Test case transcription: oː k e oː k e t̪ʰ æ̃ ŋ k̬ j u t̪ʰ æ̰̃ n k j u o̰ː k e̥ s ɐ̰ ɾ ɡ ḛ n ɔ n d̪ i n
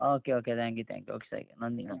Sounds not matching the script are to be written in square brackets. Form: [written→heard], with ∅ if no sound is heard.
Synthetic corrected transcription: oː k e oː k e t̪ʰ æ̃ ŋ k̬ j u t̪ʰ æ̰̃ [n→ŋ] k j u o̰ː k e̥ s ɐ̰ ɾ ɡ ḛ n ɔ n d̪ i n